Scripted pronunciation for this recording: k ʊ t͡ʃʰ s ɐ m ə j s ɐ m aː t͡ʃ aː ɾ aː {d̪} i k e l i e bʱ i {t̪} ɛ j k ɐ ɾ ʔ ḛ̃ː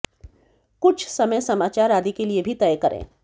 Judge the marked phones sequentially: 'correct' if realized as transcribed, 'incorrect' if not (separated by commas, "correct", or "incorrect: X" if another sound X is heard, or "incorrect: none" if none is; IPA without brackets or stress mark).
correct, correct